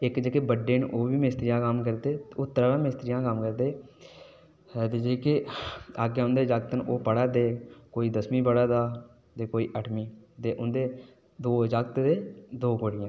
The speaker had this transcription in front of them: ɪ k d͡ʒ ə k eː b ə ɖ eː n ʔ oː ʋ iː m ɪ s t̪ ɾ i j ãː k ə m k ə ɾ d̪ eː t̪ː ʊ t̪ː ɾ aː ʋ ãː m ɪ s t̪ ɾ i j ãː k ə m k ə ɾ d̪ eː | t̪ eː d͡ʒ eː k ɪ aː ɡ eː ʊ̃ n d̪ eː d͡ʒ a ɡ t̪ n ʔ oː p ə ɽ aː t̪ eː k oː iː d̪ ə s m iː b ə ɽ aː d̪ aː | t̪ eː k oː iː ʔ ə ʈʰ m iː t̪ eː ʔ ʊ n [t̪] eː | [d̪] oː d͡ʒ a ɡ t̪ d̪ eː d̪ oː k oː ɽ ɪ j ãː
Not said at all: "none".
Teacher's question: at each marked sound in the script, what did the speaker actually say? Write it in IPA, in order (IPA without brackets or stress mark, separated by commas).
d̪, d̪